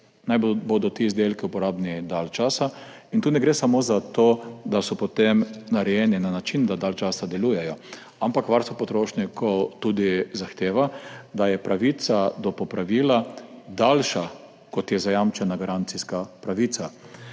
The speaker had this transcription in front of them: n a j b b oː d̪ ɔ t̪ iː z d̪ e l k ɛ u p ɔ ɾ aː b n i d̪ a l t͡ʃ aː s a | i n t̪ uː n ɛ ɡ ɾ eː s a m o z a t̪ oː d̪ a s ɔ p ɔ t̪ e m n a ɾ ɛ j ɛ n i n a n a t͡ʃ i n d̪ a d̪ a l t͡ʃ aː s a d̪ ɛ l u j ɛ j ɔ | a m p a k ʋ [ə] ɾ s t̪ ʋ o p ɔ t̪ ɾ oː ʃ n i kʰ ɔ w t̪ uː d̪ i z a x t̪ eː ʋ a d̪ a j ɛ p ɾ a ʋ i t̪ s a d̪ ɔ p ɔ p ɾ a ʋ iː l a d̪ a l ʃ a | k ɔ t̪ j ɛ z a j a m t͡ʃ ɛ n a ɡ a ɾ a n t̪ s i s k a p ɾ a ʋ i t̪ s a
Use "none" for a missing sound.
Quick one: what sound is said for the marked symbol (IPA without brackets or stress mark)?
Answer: a